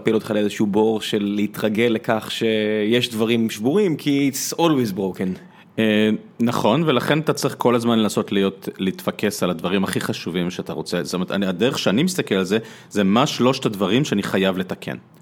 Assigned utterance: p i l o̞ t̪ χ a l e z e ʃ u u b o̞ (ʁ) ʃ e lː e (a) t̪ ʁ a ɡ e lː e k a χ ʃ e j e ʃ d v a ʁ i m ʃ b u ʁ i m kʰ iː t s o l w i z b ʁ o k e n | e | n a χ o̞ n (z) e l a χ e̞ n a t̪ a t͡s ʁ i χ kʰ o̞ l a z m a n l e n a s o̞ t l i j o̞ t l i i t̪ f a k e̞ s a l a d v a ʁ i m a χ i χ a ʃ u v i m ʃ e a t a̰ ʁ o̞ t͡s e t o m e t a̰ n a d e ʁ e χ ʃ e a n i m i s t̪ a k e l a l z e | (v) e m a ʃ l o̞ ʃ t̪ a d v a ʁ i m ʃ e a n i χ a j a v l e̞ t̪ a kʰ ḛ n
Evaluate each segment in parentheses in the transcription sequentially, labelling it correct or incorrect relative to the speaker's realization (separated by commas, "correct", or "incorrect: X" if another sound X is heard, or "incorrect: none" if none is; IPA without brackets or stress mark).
correct, incorrect: i, incorrect: v, incorrect: z